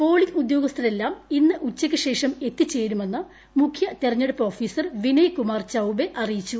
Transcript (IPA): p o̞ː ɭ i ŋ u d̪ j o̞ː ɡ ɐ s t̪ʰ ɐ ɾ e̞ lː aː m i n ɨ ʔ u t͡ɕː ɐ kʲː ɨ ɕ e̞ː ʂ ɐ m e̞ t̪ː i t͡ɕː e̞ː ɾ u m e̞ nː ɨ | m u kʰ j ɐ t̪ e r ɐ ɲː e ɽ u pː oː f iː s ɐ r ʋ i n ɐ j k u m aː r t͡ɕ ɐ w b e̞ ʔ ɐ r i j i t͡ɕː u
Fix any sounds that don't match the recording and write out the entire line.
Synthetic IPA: p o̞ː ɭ i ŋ u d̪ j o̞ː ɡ ɐ s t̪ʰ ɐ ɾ e̞ lː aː m i nː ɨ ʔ u t͡ɕː ɐ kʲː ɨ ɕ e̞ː ʂ ɐ m e̞ t̪ː i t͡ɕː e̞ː ɾ u m e̞ nː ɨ | m u kʰ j ɐ t̪ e r ɐ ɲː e ɽ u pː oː f iː s ɐ r ʋ i n ɐ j k u m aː r t͡ɕ ɐ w b e̞ ʔ ɐ r i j i t͡ɕː u